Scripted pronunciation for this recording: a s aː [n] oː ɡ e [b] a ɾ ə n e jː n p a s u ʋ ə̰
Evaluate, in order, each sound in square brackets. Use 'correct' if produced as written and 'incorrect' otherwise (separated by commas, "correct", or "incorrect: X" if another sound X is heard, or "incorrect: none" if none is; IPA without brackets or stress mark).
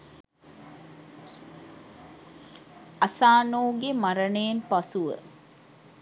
correct, incorrect: m